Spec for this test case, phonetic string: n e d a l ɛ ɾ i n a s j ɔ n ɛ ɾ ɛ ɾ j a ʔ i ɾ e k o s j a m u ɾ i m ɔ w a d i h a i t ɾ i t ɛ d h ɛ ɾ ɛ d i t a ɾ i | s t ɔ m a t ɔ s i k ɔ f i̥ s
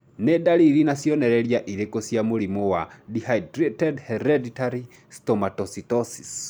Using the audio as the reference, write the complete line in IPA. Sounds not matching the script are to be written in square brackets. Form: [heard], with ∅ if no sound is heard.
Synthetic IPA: n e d a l [i] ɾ i n a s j ɔ n ɛ ɾ ɛ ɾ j a ʔ i ɾ e k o s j a m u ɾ i m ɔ w a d i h a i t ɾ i t ɛ d h ɛ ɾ ɛ d i t a ɾ i | s t ɔ m a t ɔ s i [t] ɔ [s] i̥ s